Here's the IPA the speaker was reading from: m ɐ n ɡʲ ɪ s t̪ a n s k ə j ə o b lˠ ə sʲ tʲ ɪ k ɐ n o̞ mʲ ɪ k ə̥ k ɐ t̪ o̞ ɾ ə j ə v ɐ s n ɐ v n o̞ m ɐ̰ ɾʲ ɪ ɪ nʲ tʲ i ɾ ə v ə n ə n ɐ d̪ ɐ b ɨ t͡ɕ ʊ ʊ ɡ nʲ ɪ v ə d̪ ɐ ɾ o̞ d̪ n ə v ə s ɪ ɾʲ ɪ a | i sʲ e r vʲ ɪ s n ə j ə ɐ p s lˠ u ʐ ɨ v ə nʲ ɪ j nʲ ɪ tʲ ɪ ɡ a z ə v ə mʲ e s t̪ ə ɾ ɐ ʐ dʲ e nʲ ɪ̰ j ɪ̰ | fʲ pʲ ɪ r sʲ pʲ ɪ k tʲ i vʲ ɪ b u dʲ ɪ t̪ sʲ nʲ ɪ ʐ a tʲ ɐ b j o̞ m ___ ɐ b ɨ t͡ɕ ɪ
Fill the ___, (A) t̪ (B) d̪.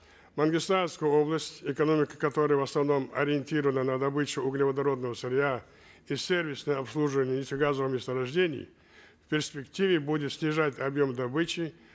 B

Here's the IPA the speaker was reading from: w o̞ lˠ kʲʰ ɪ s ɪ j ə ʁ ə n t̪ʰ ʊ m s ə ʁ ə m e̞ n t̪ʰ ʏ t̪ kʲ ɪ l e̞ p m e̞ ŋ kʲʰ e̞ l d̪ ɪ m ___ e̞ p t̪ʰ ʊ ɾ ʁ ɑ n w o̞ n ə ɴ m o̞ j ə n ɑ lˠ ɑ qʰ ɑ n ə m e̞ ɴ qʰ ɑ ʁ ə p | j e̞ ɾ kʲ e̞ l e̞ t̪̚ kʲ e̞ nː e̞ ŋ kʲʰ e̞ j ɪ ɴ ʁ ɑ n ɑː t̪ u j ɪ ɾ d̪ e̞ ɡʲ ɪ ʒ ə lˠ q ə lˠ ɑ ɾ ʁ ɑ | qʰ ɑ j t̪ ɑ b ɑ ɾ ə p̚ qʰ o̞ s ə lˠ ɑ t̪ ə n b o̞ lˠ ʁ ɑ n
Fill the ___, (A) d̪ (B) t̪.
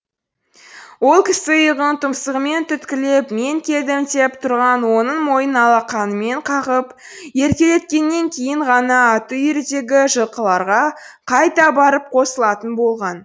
B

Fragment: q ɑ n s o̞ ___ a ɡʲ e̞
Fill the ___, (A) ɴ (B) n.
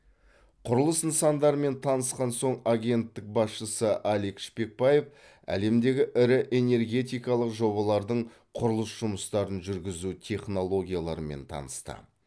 A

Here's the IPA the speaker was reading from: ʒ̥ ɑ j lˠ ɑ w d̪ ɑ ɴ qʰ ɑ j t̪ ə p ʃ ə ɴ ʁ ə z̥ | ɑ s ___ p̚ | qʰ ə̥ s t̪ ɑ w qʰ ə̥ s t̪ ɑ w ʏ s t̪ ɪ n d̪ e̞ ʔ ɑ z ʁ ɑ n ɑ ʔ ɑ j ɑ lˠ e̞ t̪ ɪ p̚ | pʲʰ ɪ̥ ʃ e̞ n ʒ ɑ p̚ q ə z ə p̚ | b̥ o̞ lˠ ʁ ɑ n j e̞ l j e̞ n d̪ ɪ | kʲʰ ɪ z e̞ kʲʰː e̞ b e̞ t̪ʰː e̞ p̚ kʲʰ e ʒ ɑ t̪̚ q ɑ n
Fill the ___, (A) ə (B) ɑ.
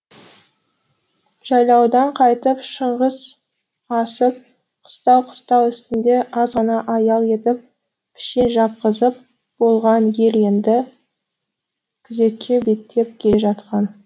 A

